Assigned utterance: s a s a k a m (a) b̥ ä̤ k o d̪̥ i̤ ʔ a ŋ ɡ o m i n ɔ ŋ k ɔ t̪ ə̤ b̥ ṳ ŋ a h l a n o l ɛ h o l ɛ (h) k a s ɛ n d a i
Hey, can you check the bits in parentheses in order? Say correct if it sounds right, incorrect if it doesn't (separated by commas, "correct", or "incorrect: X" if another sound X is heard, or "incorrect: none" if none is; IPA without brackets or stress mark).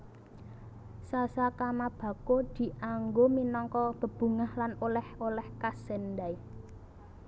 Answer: correct, correct